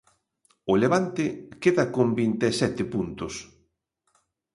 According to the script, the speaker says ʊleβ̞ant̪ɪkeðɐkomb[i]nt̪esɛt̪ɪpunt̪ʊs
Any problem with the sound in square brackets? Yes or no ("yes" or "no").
no